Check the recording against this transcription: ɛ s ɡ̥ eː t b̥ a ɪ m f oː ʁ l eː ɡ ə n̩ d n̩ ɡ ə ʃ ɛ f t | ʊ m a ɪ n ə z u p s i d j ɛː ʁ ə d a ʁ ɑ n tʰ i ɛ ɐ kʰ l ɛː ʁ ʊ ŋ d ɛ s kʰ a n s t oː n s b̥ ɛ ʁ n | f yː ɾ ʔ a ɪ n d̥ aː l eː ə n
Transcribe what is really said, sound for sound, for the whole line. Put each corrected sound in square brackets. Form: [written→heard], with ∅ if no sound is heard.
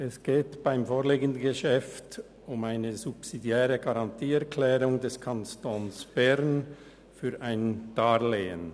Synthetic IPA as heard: ɛ s ɡ̥ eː t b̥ a ɪ m f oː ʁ l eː ɡ ə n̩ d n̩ ɡ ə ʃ ɛ f t | ʊ m a ɪ n ə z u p s i d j ɛː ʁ ə [d→ɡ] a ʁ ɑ n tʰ [i→iː] ɛ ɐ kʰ l ɛː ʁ ʊ ŋ d ɛ s kʰ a n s t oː n s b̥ ɛ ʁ n | f yː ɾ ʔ a ɪ n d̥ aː l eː ə n